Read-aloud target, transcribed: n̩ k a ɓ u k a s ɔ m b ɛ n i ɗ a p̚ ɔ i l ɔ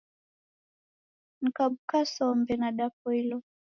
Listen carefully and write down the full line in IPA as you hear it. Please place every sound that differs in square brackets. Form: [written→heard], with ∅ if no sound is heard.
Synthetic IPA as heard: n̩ k a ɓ u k a s ɔ m b ɛ n [i→a] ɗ a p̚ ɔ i l ɔ